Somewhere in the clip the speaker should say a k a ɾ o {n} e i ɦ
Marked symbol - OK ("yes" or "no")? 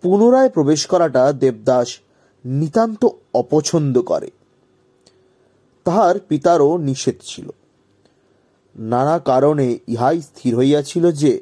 yes